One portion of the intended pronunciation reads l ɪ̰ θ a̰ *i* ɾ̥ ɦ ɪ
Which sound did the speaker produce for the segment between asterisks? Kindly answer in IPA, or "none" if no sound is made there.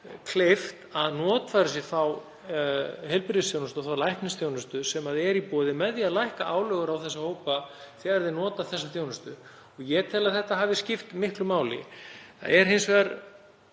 ɛ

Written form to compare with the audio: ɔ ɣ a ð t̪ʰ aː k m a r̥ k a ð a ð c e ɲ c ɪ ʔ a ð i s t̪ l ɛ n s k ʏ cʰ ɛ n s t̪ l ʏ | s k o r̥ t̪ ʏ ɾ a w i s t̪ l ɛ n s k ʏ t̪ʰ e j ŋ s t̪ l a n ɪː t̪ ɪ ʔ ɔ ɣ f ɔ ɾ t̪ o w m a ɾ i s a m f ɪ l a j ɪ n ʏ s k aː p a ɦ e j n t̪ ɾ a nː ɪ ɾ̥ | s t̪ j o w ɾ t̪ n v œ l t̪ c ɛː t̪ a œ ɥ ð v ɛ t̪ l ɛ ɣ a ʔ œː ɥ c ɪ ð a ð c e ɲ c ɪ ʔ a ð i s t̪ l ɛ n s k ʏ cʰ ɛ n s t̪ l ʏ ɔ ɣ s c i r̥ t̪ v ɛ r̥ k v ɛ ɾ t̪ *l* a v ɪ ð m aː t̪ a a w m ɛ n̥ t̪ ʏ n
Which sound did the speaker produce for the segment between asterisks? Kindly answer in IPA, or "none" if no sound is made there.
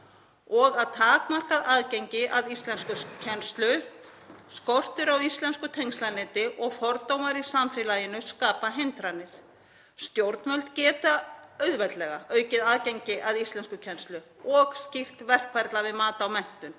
l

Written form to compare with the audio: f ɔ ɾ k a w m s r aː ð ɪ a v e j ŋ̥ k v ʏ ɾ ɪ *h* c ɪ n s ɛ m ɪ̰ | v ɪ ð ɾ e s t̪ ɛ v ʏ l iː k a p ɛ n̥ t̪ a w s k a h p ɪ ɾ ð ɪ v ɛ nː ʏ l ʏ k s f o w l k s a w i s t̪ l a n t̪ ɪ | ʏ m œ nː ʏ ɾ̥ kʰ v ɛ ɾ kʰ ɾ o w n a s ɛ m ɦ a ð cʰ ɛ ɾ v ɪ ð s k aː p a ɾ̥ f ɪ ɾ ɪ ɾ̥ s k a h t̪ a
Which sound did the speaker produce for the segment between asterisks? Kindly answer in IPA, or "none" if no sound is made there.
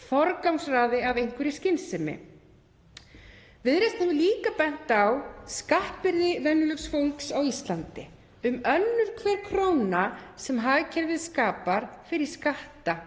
s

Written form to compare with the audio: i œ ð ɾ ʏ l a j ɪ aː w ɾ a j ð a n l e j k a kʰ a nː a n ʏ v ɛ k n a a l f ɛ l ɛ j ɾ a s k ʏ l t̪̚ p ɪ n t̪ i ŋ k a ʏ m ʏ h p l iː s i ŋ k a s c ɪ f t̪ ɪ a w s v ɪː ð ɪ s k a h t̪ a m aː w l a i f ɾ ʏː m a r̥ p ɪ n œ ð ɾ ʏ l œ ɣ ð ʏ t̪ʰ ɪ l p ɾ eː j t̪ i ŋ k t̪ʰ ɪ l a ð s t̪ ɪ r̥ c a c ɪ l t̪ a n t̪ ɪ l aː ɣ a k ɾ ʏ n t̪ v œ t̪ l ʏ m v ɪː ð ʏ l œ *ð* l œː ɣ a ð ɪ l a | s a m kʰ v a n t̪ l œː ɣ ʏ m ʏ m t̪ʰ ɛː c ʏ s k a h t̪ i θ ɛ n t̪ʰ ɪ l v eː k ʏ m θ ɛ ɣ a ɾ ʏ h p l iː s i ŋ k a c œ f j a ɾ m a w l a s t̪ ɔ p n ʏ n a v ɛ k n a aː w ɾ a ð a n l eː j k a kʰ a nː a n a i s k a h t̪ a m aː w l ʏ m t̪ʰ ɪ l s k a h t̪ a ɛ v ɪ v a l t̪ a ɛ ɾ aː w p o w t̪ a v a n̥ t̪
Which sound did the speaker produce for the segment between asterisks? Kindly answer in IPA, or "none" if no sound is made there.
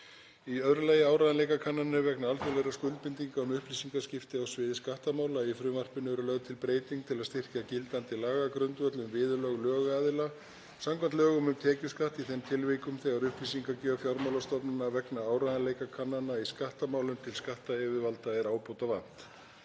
ɣ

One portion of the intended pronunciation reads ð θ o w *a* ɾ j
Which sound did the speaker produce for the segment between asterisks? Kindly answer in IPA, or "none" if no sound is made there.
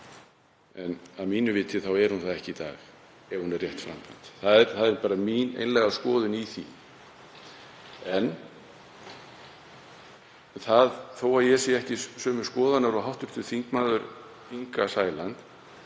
a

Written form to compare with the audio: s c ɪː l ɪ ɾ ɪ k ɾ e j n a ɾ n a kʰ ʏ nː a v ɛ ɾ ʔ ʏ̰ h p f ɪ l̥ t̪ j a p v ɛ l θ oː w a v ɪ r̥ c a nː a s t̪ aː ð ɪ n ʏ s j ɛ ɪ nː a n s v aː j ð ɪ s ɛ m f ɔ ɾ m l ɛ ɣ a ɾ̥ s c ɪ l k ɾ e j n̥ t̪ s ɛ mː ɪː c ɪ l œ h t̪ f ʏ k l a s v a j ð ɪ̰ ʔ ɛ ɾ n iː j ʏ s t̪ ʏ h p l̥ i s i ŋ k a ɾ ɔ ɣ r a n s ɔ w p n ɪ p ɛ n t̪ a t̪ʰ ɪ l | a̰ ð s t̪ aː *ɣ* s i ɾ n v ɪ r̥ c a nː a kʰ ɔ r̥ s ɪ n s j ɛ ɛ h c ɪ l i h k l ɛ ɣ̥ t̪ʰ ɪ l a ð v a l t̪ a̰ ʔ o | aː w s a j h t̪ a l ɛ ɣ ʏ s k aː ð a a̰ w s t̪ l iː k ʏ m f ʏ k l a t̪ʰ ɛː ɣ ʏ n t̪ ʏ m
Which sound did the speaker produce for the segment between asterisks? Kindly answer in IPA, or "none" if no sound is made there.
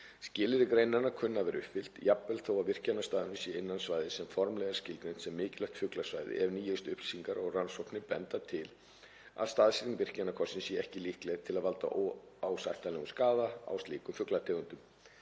ð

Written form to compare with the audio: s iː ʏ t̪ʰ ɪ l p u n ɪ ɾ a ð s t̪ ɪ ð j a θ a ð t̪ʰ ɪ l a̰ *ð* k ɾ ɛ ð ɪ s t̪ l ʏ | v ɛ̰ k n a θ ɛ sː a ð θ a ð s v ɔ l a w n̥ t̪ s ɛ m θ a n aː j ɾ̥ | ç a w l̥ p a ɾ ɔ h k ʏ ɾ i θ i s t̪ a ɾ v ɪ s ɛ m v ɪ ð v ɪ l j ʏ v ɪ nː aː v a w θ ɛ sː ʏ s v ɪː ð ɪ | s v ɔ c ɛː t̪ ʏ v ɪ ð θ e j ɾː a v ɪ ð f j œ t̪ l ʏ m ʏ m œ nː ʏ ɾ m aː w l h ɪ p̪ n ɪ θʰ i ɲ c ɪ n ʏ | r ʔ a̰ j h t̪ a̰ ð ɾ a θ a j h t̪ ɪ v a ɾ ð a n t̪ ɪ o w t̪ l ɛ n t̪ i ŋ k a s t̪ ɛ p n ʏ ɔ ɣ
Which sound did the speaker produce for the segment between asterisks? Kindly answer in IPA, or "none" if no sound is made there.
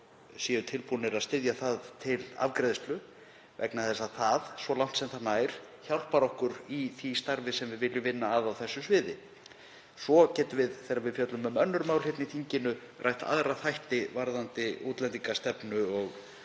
v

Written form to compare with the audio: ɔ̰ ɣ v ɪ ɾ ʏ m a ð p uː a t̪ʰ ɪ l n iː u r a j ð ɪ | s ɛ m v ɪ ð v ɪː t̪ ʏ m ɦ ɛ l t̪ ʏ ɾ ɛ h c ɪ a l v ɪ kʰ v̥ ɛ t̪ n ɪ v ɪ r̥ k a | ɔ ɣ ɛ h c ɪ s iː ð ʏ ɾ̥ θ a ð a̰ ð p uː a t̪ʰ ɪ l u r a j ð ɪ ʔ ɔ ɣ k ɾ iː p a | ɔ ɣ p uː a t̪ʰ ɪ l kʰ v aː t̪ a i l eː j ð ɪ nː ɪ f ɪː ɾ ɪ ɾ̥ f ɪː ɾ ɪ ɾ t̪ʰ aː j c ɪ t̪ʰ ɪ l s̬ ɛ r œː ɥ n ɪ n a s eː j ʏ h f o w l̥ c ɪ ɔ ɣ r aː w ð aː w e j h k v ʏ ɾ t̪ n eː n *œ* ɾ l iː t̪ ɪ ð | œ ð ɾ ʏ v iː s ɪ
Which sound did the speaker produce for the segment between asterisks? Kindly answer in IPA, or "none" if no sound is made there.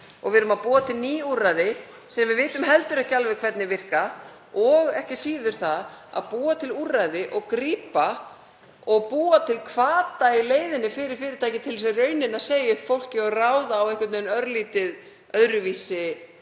œ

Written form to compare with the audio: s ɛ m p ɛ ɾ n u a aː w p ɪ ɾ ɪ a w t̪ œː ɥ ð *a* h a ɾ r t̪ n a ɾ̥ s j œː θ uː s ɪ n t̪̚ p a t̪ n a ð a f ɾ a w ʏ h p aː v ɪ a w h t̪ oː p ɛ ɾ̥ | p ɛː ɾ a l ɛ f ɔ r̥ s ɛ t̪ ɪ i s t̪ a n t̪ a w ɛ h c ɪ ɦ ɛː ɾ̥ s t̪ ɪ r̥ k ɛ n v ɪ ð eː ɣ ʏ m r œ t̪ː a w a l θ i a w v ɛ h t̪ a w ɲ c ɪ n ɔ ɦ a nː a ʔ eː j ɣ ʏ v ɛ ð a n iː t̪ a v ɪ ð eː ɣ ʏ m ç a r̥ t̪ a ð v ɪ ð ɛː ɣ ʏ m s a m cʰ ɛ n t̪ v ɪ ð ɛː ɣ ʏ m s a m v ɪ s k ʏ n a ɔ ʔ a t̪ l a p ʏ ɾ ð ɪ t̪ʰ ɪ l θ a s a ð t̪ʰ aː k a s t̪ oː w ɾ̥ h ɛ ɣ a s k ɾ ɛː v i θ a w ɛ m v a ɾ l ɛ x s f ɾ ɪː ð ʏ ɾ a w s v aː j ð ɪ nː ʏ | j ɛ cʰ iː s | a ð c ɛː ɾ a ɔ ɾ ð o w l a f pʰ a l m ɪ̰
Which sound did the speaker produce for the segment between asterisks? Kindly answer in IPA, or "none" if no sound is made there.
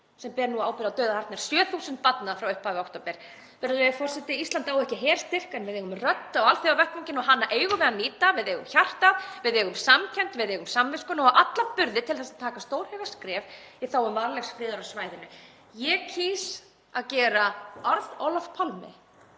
a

